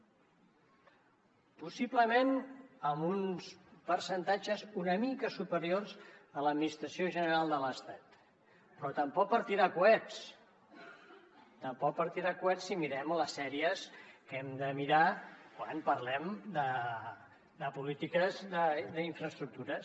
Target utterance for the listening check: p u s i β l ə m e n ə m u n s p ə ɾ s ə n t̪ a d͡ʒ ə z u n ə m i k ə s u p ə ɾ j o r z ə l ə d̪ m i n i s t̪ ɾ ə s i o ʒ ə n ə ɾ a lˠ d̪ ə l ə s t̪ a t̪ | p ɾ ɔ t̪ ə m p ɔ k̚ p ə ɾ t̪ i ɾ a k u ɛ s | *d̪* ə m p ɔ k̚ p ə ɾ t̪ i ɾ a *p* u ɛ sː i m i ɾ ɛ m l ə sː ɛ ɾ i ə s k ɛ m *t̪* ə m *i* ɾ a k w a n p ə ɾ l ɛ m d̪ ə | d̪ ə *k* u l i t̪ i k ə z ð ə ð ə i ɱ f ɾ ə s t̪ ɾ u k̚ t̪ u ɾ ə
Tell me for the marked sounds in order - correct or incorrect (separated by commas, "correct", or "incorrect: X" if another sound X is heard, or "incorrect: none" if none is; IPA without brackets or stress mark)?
incorrect: t̪, incorrect: k, incorrect: d̪, correct, incorrect: p